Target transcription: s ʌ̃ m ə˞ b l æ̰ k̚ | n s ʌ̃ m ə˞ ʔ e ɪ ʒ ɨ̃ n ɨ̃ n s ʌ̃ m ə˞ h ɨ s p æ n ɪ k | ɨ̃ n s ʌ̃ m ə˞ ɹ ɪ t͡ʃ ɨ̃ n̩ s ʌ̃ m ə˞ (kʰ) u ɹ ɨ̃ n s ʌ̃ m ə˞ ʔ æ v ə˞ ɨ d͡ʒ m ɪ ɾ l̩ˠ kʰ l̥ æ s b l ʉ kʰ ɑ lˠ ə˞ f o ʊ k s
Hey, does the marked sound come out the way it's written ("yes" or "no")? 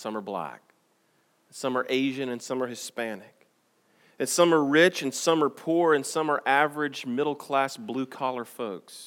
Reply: no